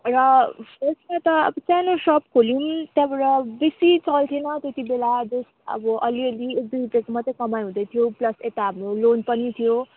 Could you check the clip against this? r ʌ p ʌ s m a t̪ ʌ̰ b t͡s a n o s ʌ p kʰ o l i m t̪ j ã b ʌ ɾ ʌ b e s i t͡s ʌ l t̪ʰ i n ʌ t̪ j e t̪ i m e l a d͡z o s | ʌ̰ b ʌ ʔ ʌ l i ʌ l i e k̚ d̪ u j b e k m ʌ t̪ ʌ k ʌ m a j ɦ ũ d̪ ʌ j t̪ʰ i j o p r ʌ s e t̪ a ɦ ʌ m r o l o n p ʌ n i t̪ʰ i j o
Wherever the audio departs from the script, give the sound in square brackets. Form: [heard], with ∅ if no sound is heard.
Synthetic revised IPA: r ʌ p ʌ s m a t̪ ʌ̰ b t͡s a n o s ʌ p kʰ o l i m t̪ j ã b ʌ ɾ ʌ b e s i t͡s ʌ l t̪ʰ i n ʌ t̪ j e t̪ i [b] e l a d͡z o s | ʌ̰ b ʌ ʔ ʌ l i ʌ l i e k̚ d̪ u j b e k m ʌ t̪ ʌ k ʌ m a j ɦ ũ d̪ ʌ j t̪ʰ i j o p [l] ʌ s e t̪ a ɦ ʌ m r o l o n p ʌ n i t̪ʰ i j o